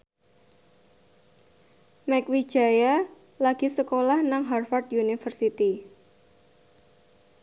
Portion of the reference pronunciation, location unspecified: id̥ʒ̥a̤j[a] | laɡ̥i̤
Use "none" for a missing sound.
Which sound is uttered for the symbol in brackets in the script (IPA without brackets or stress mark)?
a